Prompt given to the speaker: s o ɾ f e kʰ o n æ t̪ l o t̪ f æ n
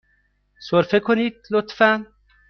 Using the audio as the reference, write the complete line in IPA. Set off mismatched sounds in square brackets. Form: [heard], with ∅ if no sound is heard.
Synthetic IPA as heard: s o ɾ f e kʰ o n [i] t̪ l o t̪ f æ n